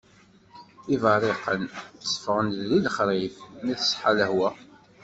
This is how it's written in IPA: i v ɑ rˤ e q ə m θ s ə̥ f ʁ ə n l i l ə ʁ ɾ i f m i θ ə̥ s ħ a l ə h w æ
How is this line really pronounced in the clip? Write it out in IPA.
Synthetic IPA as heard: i v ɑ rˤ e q ə n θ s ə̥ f ʁ ə n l i l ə χ ɾ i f m i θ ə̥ s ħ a l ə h w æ